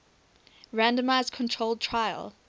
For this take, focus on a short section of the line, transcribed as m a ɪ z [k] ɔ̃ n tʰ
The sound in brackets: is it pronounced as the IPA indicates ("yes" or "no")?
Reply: no